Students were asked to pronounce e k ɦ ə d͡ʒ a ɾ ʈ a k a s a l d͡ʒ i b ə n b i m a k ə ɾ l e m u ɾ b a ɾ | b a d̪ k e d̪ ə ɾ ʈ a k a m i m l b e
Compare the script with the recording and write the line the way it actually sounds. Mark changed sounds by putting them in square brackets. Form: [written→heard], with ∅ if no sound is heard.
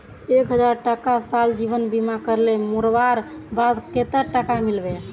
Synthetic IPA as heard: e k ɦ ə d͡ʒ a ɾ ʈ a k a s a l d͡ʒ i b ə n b i m a k ə ɾ l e m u ɾ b a ɾ | b a d̪ k e [d̪→t̪] ə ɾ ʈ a k a m i [m→∅] l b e